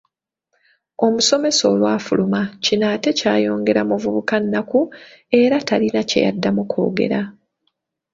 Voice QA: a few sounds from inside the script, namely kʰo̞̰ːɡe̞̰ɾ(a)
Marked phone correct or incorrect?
correct